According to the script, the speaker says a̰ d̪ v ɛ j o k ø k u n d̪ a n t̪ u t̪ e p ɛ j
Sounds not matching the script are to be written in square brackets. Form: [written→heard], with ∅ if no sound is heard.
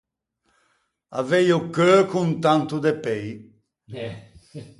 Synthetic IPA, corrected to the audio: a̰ [d̪→∅] v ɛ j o k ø k u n [d̪→t̪] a n t̪ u [t̪→d̪] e p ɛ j